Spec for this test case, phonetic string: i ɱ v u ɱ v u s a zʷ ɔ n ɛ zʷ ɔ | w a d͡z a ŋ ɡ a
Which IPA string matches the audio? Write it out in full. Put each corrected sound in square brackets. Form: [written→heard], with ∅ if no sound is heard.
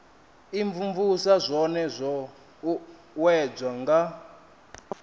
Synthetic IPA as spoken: i ɱ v u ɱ v u s a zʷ ɔ n ɛ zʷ ɔ | w [a→ɛ] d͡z a ŋ ɡ a